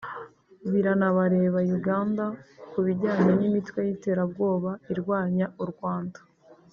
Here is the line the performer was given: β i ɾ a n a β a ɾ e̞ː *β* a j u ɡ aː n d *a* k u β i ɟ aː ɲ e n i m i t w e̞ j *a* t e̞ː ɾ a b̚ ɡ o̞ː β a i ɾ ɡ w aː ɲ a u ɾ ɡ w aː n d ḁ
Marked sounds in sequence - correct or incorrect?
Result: correct, correct, incorrect: i

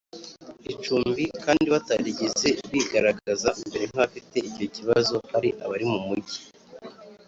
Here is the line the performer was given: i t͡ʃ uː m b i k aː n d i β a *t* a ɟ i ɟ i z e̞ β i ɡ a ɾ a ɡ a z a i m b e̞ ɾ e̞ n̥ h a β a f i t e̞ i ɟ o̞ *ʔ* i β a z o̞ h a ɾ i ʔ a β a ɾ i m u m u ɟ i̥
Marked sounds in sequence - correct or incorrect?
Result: correct, incorrect: c

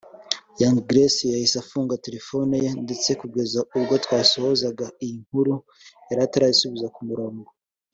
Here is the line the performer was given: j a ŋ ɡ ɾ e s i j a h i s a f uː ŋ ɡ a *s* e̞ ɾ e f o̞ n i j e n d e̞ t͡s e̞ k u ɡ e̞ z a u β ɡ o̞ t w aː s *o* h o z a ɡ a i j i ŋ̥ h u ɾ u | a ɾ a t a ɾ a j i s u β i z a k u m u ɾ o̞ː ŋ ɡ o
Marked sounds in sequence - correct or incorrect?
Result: incorrect: t, correct

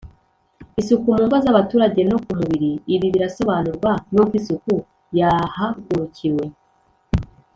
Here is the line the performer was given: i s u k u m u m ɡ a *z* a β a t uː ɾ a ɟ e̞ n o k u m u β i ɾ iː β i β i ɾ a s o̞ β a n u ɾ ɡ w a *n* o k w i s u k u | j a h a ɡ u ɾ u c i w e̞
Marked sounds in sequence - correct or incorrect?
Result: correct, correct

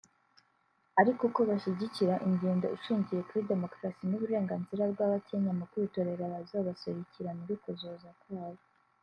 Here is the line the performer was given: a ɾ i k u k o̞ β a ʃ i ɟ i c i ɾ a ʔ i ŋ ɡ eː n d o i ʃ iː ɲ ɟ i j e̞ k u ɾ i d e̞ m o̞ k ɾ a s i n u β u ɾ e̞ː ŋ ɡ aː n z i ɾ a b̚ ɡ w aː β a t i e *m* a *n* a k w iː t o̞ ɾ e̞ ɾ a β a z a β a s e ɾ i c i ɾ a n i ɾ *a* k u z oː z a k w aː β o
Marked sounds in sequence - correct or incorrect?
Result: incorrect: ɲ, incorrect: m, incorrect: i

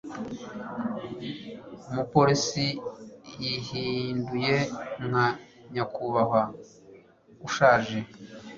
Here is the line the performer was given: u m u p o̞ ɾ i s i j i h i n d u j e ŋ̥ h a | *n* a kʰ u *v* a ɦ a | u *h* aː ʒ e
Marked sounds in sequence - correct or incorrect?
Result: incorrect: ɲ, incorrect: β, incorrect: ʃ

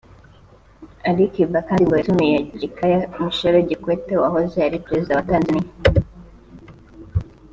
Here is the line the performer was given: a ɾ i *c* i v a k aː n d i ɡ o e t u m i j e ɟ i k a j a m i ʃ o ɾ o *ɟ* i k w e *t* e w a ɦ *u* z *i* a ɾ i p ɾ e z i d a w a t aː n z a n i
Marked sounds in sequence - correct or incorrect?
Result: incorrect: k, correct, correct, incorrect: o, incorrect: e

